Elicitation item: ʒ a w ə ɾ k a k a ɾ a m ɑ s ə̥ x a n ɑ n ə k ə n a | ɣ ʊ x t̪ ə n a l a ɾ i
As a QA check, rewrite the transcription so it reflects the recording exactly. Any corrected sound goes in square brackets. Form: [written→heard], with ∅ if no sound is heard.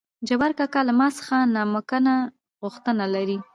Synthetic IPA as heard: [ʒ→d͡ʒ] a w [ə→a] ɾ k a k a [ɾ→l] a m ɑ s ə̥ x a n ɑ [n→m] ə k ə n a | ɣ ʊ x t̪ ə n a l a ɾ i